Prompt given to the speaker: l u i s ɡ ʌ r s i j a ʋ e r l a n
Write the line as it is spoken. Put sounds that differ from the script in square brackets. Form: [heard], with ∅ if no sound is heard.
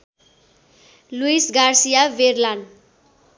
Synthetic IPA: l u i s ɡ [a] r s i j a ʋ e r l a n